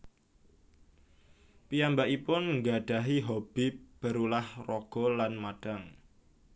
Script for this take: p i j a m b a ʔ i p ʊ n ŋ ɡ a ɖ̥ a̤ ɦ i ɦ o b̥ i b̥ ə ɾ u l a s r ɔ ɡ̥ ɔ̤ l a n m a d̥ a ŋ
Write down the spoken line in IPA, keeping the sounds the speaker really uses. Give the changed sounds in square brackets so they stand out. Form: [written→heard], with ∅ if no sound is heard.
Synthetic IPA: p i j a m b a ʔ i p ʊ n ŋ ɡ a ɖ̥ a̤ ɦ i ɦ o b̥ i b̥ ə ɾ u l a [s→h] r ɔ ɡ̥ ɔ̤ l a n m a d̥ a ŋ